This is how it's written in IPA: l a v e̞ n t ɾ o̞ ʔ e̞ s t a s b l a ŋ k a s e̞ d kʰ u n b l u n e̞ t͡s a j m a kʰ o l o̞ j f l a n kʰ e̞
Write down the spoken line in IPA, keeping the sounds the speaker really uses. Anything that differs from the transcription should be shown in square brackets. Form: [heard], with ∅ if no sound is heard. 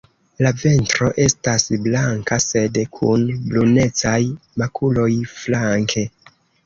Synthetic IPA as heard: l a v e̞ n t ɾ o̞ ʔ e̞ s t a s b l a ŋ k a s e̞ d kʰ u n b l u n e̞ t͡s a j m a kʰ [u] l o̞ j f l a [ŋ] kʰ e̞